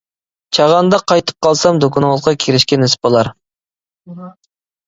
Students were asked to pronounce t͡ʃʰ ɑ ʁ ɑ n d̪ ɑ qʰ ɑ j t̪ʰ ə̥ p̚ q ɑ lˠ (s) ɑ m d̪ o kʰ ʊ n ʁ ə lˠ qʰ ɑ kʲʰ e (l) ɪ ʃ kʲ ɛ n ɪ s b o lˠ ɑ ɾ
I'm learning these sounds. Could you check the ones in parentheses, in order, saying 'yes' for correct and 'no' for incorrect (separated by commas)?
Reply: yes, no